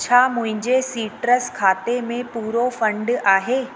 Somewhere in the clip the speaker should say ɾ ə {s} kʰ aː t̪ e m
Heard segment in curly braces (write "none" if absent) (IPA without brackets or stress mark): s